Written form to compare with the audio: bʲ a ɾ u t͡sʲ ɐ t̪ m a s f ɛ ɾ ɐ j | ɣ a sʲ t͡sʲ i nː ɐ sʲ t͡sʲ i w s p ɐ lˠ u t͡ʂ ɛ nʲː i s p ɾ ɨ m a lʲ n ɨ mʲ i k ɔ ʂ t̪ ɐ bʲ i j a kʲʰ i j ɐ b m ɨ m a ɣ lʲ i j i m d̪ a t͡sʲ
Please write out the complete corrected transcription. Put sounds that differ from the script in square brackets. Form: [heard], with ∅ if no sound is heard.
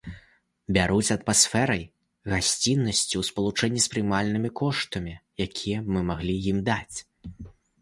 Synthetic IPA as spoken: bʲ a ɾ u t͡sʲ ɐ t̪ m a s f ɛ ɾ ɐ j | ɣ a sʲ t͡sʲ i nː ɐ sʲ t͡sʲ i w s p ɐ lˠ u t͡ʂ ɛ nʲː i s p ɾ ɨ m a lʲ n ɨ mʲ i k ɔ ʂ t̪ ɐ [mʲ] i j a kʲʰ i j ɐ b m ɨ m a ɣ lʲ i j i m d̪ a t͡sʲ